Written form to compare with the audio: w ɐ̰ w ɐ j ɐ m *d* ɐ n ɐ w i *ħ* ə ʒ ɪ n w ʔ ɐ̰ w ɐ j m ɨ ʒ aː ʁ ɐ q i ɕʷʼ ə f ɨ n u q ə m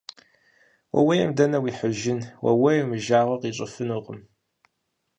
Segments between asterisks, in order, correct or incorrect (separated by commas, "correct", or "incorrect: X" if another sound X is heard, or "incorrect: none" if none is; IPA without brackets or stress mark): correct, correct